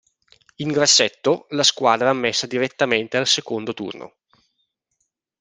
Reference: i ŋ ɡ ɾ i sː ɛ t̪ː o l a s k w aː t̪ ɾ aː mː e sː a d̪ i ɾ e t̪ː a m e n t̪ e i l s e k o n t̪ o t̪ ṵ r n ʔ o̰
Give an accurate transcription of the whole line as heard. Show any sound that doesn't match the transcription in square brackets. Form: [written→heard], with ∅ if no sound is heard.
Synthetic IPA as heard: i ŋ ɡ ɾ [i→a] sː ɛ t̪ː o l a s k w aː [t̪→d̪] ɾ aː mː e sː a d̪ i ɾ e t̪ː a m e n t̪ e [i→a] l s e k o n [t̪→d̪] o t̪ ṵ r n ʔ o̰